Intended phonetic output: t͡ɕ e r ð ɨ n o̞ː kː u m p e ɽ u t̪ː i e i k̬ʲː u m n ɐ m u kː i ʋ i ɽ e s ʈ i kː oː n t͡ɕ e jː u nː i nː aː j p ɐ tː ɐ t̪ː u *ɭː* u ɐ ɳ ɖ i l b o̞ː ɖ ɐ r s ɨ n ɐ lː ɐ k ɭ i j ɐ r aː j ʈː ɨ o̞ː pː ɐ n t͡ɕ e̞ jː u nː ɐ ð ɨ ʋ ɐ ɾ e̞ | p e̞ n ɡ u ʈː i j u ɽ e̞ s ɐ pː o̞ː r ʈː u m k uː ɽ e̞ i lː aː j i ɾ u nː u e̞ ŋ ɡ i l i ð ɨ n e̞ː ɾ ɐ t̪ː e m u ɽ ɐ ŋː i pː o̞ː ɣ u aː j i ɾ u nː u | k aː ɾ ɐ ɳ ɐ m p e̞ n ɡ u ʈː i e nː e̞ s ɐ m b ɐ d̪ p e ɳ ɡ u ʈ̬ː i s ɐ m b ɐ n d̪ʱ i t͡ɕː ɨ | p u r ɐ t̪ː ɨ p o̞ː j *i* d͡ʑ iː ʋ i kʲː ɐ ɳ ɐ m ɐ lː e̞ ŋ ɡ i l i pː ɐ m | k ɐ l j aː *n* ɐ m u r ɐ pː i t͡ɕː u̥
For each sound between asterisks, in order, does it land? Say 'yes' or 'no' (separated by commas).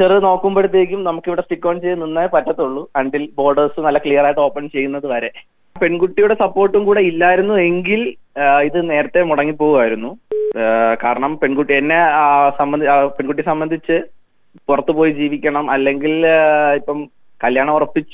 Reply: yes, yes, no